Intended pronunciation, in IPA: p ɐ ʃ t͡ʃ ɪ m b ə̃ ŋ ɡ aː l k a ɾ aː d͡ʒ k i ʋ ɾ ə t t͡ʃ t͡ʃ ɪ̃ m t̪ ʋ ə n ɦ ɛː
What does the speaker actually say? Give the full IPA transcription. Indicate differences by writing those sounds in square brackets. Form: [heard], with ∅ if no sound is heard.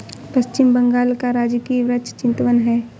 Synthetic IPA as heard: p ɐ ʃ t͡ʃ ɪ m b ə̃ ŋ ɡ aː l k a ɾ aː d͡ʒ k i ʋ ɾ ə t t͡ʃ t͡ʃ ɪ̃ [n] t̪ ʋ ə n ɦ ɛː